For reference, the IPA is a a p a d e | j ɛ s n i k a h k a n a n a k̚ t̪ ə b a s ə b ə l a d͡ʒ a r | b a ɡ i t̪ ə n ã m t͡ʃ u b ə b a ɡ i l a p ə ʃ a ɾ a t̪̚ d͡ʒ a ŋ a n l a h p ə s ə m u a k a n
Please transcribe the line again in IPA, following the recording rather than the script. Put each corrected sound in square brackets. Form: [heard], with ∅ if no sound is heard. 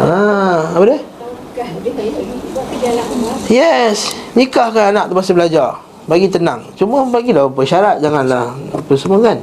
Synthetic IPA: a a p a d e | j ɛ s n i k a h k a n a n a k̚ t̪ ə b a s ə b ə l a d͡ʒ a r | b a ɡ i t̪ ə n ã [ŋ] t͡ʃ u [m] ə b a ɡ i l a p ə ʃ a ɾ a t̪̚ d͡ʒ a ŋ a n l a h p ə s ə m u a k a n